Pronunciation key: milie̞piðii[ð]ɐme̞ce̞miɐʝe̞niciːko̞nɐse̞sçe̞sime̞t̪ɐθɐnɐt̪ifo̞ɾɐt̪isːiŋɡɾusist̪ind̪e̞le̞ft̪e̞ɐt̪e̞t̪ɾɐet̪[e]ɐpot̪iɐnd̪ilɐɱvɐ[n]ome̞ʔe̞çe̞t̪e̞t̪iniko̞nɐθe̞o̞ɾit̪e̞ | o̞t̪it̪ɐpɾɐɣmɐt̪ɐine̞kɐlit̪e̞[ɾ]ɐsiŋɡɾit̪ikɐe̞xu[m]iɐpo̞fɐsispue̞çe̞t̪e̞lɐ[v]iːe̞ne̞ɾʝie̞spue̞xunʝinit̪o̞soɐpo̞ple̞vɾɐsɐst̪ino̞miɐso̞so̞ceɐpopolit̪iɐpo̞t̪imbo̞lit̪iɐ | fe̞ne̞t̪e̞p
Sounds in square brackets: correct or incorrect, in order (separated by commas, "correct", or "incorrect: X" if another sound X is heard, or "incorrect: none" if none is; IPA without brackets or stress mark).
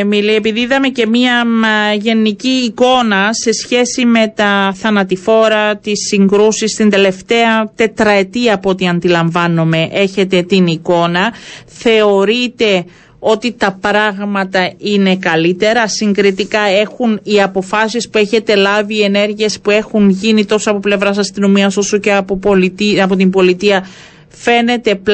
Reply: correct, incorrect: i, correct, correct, incorrect: n, correct